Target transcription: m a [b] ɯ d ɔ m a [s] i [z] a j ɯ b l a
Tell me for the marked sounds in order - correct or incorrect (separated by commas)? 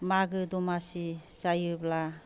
incorrect, correct, incorrect